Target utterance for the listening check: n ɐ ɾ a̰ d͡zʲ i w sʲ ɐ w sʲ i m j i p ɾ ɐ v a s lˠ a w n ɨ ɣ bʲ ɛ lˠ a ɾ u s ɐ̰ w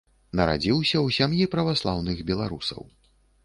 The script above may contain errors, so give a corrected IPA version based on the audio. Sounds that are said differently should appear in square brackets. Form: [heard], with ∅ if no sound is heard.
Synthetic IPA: n ɐ ɾ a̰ d͡zʲ i w sʲ ɐ w sʲ [a] m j i p ɾ ɐ v a s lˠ a w n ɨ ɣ bʲ ɛ lˠ a ɾ u s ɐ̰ w